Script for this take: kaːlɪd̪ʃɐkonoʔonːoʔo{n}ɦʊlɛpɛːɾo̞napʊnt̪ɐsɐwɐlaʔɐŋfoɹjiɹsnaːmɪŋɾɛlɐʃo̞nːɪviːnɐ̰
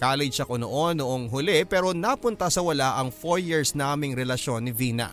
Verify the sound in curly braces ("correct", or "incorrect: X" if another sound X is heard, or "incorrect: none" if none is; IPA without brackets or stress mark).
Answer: incorrect: ŋ